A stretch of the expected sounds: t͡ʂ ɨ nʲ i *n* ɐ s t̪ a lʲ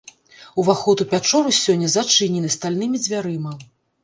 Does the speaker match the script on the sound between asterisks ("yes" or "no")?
yes